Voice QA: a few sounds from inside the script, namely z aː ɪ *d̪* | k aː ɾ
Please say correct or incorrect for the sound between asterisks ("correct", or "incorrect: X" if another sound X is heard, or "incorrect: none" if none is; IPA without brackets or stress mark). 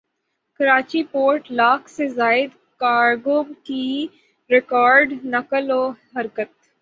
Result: correct